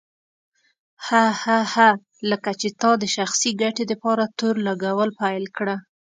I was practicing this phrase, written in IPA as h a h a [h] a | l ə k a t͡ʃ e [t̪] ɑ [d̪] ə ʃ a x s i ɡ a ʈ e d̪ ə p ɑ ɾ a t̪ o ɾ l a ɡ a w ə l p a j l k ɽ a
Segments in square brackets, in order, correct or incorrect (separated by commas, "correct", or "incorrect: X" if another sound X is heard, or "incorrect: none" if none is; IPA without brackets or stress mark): correct, correct, correct